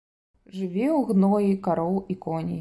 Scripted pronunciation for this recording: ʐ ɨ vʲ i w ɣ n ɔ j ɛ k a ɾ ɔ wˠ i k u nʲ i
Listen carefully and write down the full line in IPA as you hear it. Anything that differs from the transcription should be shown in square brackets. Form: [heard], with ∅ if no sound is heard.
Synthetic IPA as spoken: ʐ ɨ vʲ [ɛ] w ɣ n ɔ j [i] k a ɾ ɔ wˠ i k [ɔ] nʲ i

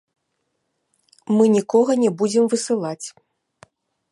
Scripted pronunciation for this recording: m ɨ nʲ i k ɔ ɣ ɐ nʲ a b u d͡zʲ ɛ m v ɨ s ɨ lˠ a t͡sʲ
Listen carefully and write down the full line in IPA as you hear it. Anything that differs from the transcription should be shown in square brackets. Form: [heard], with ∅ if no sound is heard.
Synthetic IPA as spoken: m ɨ nʲ i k ɔ ɣ ɐ nʲ [ɛ] b u d͡zʲ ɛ m v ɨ s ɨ lˠ a t͡sʲ

